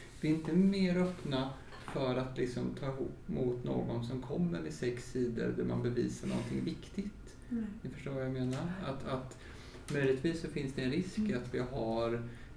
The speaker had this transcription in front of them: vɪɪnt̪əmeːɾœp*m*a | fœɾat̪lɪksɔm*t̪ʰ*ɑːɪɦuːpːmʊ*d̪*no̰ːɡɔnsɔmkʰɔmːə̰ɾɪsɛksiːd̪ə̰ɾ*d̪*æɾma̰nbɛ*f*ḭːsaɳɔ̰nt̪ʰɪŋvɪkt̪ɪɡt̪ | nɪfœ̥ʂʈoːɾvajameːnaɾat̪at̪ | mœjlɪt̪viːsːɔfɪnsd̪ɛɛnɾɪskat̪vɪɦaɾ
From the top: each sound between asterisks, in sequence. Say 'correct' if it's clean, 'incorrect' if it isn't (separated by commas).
incorrect, correct, incorrect, correct, incorrect